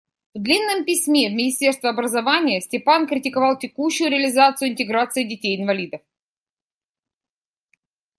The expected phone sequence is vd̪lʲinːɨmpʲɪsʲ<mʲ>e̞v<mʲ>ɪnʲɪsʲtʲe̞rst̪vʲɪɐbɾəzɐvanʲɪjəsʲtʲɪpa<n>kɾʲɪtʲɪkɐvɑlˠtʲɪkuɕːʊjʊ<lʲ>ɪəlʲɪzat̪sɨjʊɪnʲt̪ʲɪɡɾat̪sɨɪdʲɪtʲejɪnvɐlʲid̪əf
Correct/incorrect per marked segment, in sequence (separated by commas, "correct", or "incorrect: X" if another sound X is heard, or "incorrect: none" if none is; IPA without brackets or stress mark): correct, correct, correct, incorrect: ɾʲ